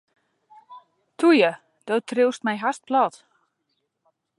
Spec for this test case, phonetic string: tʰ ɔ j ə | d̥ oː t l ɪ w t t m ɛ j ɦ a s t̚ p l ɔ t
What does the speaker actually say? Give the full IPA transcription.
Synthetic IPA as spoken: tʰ u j ə | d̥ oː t r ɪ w s t m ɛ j ɦ a s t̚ p l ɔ t